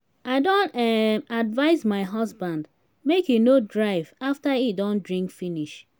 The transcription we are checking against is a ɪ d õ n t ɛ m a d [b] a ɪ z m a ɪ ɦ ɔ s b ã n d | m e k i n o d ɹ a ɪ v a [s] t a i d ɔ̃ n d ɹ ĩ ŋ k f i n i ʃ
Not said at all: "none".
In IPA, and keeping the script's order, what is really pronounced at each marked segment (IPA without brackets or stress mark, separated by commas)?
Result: v, f